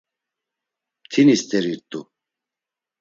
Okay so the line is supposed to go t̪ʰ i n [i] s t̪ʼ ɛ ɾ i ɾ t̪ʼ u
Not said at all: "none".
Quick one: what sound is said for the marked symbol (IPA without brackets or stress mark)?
i